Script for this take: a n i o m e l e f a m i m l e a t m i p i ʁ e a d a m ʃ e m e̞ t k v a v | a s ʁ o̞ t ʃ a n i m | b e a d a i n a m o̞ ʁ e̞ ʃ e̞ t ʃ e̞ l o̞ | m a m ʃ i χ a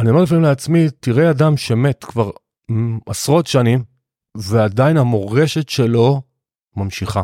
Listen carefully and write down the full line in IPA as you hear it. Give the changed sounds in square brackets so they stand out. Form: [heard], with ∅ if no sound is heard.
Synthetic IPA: a n i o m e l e f a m i m l e a [t͡s] m i [t] i ʁ e a d a m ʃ e m e̞ t k v a [ʁ] | a s ʁ o̞ t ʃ a n i m | [v] e a d a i n a m o̞ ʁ e̞ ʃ e̞ t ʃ e̞ l o̞ | m a m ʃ i χ a